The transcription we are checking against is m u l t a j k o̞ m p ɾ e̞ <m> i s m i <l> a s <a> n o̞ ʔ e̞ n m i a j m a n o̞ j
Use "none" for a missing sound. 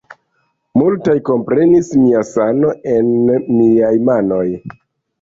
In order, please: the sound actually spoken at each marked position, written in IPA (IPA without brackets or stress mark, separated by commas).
n, none, a